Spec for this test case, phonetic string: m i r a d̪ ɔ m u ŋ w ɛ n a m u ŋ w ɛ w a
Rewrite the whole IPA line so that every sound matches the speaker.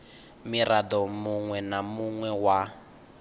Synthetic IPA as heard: m i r a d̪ ɔ m u ŋ w ɛ n a m u ŋ w ɛ w a